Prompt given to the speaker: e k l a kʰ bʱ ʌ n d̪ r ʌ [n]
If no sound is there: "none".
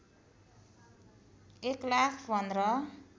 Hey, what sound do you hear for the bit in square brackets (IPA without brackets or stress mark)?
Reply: none